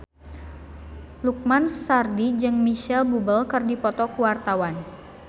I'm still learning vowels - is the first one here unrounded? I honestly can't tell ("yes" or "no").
no